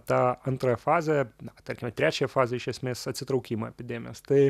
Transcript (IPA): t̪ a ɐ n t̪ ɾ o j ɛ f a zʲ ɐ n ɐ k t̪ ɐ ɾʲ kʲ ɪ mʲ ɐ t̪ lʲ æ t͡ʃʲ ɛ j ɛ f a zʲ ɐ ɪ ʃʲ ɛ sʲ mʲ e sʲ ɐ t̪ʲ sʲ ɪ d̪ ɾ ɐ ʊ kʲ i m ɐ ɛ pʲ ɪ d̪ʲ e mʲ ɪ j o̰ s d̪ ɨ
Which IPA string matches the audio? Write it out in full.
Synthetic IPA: t̪ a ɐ n t̪ ɾ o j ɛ f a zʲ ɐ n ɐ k t̪ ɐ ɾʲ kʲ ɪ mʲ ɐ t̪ ɾʲ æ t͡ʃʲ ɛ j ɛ f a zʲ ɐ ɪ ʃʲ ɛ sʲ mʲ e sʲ ɐ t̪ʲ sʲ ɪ t̪ ɾ ɐ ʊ kʲ i m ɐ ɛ pʲ ɪ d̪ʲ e mʲ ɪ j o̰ s t̪ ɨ